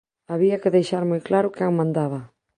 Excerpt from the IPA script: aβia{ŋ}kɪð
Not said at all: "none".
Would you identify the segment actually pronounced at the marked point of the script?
none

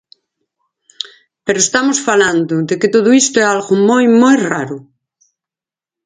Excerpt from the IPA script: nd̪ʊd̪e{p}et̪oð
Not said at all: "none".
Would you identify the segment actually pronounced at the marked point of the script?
k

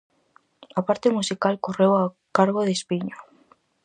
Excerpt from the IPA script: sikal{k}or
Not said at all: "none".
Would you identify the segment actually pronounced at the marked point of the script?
k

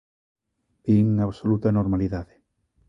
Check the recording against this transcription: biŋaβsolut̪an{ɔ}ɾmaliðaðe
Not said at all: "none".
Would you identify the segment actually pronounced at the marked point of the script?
o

